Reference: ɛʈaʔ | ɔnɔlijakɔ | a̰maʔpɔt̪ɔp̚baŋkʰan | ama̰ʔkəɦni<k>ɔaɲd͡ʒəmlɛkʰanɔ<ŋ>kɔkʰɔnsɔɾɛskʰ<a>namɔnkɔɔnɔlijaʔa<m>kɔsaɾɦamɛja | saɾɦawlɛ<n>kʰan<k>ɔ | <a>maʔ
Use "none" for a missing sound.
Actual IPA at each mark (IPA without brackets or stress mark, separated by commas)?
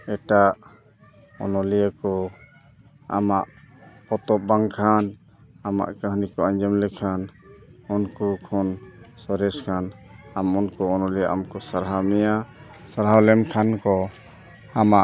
k, n, a, m, m, k, a